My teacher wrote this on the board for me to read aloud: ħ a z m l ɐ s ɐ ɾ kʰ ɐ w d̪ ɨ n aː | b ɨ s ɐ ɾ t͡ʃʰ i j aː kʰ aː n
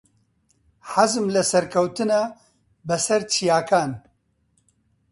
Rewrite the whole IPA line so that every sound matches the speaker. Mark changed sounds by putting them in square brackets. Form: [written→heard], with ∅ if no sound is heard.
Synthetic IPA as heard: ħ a z m l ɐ s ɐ ɾ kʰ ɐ w [d̪→t̪] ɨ n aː | b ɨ s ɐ ɾ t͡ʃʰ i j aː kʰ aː n